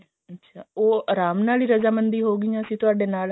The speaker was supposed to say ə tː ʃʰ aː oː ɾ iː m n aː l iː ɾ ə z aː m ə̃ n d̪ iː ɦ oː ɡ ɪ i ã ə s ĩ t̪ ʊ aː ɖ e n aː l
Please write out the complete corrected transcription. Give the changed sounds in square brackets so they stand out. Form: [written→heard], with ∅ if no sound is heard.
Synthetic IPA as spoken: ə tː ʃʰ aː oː ɾ [iː→aː] m n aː l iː ɾ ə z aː m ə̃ n d̪ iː ɦ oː ɡ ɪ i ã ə s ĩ t̪ ʊ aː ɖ e n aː l